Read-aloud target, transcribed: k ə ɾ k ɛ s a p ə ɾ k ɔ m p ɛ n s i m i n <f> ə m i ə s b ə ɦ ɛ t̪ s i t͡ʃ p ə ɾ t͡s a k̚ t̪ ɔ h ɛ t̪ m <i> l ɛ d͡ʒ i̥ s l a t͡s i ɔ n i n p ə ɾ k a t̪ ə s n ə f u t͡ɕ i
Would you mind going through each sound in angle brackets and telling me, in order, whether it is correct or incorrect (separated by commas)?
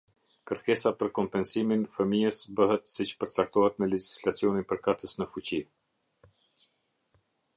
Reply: correct, incorrect